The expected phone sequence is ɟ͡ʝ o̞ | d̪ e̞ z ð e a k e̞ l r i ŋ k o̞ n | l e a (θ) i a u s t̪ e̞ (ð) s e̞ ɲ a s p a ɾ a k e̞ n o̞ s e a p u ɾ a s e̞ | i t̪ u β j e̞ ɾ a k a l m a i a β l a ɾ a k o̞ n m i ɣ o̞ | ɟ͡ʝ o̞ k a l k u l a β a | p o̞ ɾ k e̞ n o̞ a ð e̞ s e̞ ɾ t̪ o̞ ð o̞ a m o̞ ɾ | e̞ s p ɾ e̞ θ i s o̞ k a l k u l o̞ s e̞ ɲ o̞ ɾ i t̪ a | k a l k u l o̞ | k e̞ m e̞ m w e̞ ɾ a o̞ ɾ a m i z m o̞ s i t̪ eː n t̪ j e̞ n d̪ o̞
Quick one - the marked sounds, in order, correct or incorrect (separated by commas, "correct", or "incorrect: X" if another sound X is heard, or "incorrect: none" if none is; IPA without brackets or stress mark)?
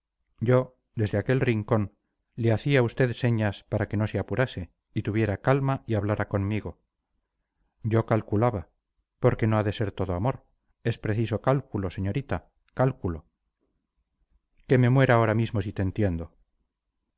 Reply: correct, correct